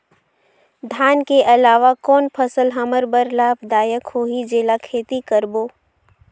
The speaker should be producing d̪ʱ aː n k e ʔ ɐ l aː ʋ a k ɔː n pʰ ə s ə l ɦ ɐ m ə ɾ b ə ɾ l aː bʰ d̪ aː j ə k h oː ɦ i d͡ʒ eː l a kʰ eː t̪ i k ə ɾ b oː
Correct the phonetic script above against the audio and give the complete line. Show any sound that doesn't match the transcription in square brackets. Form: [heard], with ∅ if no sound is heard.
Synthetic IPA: d̪ʱ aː n k e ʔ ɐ l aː ʋ a k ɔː n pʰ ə s ə l ɦ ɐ m ə ɾ b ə ɾ l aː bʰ d̪ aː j ə k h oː ɦ i d͡ʒ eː l a kʰ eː t̪ i k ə ɾ b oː

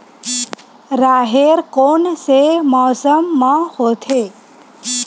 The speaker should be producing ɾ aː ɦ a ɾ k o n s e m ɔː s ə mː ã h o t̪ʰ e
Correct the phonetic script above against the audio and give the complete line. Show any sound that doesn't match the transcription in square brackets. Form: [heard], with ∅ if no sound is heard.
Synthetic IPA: ɾ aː ɦ [e] ɾ k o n s e m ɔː s ə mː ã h o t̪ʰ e

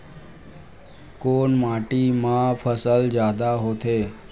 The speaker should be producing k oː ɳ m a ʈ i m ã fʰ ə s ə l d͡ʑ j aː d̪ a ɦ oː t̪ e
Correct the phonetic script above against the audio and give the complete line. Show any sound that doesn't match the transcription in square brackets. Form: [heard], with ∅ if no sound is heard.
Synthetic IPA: k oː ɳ m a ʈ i m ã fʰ ə s ə l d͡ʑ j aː d̪ a ɦ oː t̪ e

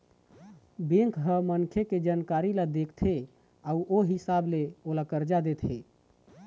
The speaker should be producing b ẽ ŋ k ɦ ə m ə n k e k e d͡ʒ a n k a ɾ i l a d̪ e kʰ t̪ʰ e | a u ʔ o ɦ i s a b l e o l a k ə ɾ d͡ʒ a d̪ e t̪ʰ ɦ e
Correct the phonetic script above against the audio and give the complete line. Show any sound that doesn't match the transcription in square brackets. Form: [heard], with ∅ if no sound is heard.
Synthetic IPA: b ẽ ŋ k ɦ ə m ə n [kʰ] e k e d͡ʒ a n k a ɾ i l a d̪ e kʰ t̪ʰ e | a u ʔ o ɦ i s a b l e o l a k ə ɾ d͡ʒ a d̪ e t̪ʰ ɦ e

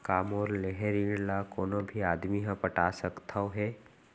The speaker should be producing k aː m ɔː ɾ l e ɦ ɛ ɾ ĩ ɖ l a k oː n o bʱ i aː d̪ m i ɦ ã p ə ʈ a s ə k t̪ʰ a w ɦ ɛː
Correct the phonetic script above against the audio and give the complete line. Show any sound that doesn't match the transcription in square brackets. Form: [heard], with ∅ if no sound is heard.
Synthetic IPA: k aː m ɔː ɾ l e ɦ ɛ ɾ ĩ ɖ l a k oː n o bʱ i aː d̪ m i ɦ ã p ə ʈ a s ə k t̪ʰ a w ɦ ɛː

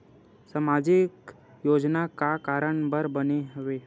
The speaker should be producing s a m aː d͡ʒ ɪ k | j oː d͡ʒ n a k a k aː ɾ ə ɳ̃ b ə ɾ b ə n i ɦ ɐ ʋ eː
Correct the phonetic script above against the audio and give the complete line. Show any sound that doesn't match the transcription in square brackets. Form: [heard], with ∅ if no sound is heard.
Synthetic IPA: s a m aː d͡ʒ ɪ k | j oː d͡ʒ n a k a k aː ɾ ə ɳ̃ b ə ɾ b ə n [e] ɦ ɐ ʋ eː

